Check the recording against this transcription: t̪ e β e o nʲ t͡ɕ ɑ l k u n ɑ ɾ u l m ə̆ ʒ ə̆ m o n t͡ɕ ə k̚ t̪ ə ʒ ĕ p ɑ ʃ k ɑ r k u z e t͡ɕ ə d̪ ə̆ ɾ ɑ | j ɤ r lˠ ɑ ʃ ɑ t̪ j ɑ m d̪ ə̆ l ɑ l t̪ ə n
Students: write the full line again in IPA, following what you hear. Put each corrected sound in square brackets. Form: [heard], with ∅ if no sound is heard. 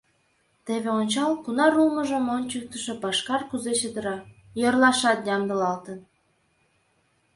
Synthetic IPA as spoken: t̪ e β e o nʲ t͡ɕ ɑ l k u n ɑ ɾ u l m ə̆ ʒ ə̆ m o n t͡ɕ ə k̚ t̪ ə [ʃ] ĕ p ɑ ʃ k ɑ r k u z e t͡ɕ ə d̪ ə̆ ɾ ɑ | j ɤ r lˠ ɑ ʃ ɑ t̪ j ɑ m d̪ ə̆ l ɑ l t̪ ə n